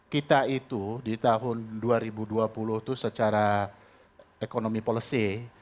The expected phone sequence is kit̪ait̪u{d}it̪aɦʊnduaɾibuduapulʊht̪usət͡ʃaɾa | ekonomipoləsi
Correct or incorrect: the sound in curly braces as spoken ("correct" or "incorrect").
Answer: correct